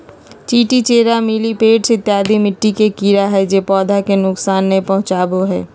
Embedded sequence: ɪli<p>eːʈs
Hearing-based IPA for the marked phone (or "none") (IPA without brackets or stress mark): p